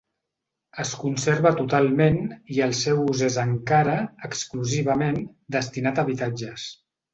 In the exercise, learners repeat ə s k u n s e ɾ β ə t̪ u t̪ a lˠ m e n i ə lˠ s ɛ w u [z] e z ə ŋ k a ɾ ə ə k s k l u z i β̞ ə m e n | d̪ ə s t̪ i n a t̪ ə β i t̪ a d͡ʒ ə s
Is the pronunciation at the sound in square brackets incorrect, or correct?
correct